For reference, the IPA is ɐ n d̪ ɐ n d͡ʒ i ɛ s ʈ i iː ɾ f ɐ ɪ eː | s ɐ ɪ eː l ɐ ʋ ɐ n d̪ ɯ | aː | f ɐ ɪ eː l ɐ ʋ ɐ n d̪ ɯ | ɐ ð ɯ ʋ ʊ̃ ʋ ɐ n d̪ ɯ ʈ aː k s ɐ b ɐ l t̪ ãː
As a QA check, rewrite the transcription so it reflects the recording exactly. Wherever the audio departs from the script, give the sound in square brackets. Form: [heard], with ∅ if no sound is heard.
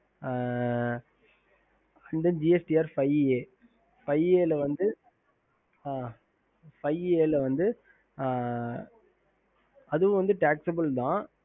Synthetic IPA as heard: ɐ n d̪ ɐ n d͡ʒ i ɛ s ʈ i [aː] ɾ f ɐ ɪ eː | [f] ɐ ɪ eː l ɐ ʋ ɐ n d̪ ɯ | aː | f ɐ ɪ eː l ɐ ʋ ɐ n d̪ ɯ | ɐ ð ɯ ʋ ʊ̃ ʋ ɐ n d̪ ɯ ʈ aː k s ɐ b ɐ l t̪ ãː